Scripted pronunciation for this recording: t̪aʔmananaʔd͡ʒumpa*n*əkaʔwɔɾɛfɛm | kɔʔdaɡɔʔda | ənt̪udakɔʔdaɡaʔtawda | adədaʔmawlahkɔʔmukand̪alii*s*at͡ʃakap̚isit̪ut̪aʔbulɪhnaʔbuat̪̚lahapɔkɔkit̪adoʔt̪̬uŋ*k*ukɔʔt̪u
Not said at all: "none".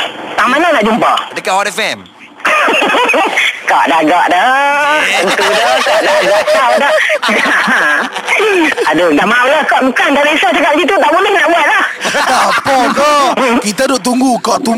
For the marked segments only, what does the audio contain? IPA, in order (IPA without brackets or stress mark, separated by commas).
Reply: d, s, ɡ